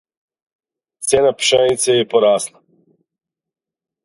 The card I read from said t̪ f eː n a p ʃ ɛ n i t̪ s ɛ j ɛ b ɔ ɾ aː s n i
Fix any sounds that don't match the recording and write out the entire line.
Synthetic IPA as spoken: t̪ s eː n a p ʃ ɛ n i t̪ s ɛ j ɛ p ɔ ɾ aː s n a